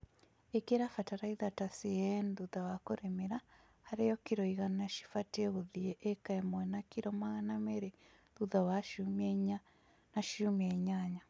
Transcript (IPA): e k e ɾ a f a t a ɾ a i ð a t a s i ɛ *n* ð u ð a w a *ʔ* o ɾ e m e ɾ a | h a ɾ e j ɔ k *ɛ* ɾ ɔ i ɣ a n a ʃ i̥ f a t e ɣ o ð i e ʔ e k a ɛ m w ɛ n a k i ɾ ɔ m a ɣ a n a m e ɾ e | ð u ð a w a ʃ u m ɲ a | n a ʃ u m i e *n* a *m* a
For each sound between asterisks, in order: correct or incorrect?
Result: correct, incorrect, incorrect, incorrect, incorrect

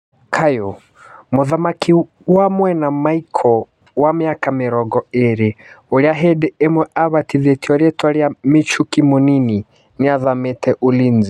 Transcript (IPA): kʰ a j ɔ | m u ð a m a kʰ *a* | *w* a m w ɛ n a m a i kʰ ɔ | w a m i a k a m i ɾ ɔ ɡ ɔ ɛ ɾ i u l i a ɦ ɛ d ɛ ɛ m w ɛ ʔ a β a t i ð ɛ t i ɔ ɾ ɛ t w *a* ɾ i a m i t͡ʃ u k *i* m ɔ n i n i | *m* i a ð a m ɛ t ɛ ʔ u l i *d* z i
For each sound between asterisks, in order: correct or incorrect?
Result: incorrect, correct, correct, correct, incorrect, incorrect

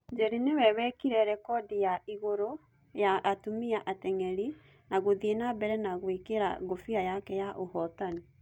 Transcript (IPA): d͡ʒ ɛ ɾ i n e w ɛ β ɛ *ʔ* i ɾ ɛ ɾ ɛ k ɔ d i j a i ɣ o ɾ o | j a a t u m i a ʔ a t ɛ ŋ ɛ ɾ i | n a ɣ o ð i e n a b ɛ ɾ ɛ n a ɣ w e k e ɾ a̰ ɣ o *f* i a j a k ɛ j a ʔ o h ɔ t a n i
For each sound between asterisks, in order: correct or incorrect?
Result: incorrect, correct

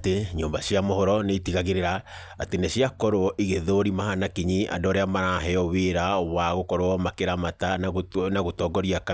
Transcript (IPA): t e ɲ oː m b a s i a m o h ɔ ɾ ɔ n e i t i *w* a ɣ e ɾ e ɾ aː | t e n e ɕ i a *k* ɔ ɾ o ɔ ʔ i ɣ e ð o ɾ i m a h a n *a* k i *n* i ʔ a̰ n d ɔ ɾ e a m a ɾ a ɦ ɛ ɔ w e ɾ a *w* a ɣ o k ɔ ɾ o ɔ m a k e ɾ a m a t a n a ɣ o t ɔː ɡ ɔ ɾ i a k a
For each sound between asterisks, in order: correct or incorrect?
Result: incorrect, correct, correct, incorrect, correct

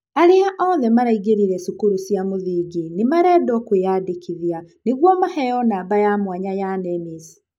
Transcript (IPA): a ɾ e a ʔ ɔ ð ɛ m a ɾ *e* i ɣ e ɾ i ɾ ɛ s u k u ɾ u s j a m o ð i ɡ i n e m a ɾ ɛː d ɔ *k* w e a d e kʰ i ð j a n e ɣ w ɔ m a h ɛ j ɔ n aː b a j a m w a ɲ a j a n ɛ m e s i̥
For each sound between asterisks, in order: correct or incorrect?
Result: incorrect, correct

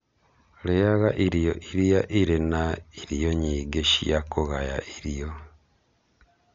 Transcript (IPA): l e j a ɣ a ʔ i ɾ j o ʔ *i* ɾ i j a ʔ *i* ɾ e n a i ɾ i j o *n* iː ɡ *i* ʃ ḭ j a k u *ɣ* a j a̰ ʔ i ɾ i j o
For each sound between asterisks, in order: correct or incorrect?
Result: correct, correct, incorrect, incorrect, correct

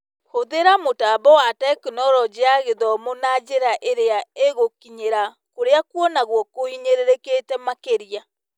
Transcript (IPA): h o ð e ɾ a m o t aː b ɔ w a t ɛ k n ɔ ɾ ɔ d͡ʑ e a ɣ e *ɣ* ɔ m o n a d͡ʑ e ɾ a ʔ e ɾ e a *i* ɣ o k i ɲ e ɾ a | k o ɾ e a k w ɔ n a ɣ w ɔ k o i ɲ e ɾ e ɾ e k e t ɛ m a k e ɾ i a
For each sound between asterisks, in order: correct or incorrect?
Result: incorrect, incorrect

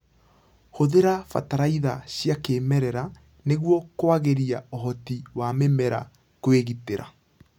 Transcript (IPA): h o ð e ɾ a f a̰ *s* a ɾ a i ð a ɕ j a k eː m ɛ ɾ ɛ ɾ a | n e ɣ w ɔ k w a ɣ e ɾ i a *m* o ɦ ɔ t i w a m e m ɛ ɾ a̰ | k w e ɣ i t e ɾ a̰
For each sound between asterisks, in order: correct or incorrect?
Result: incorrect, incorrect

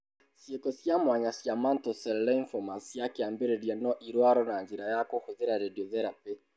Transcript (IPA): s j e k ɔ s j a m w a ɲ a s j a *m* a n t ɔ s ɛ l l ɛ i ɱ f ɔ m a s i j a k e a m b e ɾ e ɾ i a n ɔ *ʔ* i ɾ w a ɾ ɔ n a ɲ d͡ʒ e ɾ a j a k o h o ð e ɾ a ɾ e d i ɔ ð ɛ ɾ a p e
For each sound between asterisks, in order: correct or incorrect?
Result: correct, correct

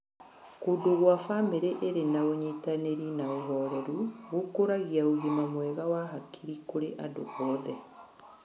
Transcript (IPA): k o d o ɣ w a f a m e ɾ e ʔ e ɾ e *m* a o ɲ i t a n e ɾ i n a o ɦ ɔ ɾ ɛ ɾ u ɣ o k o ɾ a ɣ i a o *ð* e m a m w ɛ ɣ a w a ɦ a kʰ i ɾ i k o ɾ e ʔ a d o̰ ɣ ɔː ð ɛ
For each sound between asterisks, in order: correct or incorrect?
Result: incorrect, incorrect

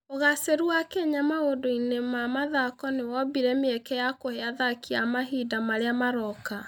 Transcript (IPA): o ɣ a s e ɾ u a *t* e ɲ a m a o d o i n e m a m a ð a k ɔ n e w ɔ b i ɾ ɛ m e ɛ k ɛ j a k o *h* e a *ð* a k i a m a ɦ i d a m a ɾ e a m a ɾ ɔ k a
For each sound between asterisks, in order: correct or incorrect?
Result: incorrect, correct, correct

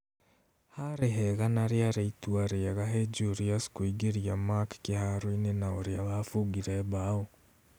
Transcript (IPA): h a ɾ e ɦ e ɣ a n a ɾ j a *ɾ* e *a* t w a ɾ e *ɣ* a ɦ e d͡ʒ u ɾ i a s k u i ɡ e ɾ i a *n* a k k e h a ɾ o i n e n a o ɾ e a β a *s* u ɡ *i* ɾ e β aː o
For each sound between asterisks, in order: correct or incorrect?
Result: correct, incorrect, correct, incorrect, incorrect, correct

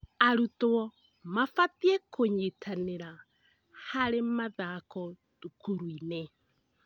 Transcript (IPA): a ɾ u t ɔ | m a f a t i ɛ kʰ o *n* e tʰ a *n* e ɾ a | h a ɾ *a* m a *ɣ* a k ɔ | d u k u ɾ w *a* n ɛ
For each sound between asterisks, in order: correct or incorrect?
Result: incorrect, correct, incorrect, incorrect, incorrect

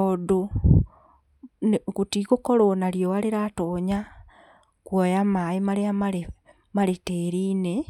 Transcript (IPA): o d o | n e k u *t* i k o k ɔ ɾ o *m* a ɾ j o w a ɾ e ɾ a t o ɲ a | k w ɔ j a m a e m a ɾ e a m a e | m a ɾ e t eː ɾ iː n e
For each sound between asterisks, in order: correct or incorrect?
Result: correct, incorrect

